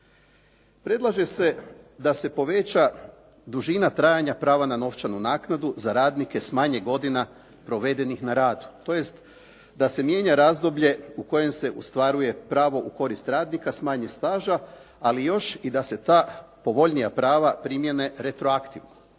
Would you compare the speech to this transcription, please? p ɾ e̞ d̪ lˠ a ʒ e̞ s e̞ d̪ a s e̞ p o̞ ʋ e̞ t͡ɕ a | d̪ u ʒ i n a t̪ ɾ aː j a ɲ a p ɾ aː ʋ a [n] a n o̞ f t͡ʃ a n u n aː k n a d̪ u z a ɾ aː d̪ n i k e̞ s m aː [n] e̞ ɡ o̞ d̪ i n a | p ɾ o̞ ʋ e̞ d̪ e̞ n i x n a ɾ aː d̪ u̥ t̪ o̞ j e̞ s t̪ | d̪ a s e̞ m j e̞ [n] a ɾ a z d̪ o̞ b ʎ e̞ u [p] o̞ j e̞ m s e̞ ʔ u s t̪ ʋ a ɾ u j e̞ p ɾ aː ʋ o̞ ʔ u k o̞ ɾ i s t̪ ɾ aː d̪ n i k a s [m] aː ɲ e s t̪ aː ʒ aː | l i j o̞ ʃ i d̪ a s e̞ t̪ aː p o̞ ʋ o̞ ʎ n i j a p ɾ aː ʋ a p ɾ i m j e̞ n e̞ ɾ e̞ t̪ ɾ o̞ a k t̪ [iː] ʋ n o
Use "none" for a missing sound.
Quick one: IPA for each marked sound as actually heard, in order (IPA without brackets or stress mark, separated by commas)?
n, ɲ, ɲ, k, m, i